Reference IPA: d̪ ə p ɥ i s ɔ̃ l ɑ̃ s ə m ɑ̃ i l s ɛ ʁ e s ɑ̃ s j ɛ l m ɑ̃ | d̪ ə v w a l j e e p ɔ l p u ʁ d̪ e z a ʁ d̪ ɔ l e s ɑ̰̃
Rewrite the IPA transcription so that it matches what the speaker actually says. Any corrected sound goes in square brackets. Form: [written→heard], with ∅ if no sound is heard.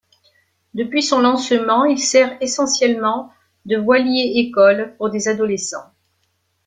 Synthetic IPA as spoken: d̪ ə p ɥ i s ɔ̃ l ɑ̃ s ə m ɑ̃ i l s ɛ ʁ e s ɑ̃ s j ɛ l m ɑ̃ | d̪ ə v w a l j e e [p→k] ɔ l p u ʁ d̪ e z a [ʁ→∅] d̪ ɔ l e s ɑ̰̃